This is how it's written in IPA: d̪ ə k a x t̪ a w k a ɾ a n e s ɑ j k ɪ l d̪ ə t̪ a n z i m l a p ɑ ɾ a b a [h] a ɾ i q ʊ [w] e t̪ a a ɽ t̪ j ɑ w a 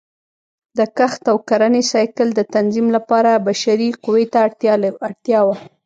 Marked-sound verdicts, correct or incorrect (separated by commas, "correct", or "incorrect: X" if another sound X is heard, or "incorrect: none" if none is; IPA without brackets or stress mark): incorrect: ʃ, correct